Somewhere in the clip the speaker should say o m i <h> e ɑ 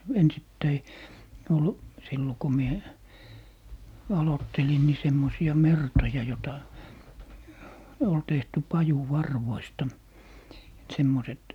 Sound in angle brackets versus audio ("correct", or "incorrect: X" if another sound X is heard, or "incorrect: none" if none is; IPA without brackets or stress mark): incorrect: none